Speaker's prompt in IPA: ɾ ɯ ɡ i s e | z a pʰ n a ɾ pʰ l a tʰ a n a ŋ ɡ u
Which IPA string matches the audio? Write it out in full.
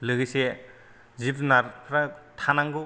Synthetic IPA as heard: l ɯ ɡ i s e | z i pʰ n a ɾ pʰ ɾ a tʰ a n a ŋ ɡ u

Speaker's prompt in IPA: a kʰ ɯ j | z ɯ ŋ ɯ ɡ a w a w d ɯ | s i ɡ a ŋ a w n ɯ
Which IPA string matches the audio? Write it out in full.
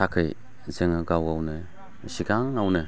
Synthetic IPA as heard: a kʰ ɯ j | z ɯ ŋ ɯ ɡ a w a w n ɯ | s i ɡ a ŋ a w n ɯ

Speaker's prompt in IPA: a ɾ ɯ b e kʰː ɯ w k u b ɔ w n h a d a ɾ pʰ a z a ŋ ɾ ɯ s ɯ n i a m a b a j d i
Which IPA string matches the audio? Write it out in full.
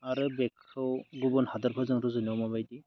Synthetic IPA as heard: a ɾ ɯ b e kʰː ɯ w ɡ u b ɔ n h a d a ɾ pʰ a z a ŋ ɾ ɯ z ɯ n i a m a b a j d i

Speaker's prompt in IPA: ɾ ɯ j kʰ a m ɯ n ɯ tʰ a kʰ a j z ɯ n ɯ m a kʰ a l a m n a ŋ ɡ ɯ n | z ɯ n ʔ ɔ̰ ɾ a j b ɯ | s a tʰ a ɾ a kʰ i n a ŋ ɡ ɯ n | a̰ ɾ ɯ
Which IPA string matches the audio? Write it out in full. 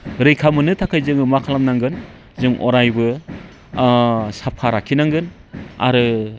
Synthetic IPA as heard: ɾ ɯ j kʰ a m ɯ n ɯ tʰ a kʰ a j z ɯ ŋ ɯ m a kʰ a l a m n a ŋ ɡ ɯ n | z ɯ ŋ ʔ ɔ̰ ɾ a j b ɯ | s a pʰ a ɾ a kʰ i n a ŋ ɡ ɯ n | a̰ ɾ ɯ

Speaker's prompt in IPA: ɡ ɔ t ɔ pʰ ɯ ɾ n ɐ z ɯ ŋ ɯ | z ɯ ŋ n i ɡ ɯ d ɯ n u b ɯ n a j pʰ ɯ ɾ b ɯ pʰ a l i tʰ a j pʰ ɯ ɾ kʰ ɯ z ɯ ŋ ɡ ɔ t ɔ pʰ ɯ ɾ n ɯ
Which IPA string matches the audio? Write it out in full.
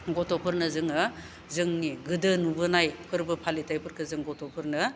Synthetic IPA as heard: ɡ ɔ t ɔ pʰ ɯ ɾ n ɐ z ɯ ŋ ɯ | z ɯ ŋ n i ɡ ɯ d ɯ n u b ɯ n a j pʰ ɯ ɾ b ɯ pʰ a l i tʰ a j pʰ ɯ ɾ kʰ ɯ z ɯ ŋ ɡ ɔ t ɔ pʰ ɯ ɾ n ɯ

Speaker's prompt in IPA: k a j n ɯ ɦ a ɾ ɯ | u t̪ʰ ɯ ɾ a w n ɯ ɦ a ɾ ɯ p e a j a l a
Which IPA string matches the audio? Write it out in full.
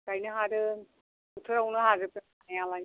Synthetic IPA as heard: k a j n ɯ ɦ a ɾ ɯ | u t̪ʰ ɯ ɾ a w n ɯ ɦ a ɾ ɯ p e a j a l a

